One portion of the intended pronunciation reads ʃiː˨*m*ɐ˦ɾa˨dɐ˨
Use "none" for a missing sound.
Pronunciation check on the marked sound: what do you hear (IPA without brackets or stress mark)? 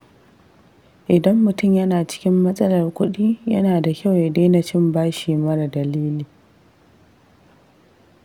m